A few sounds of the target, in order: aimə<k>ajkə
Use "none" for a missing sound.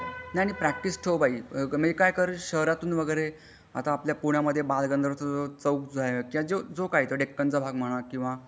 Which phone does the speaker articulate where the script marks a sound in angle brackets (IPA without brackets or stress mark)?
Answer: k